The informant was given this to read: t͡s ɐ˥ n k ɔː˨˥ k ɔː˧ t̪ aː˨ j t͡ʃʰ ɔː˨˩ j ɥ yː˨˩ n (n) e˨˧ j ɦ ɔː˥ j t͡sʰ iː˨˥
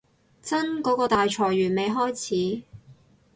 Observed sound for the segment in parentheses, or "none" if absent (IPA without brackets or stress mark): m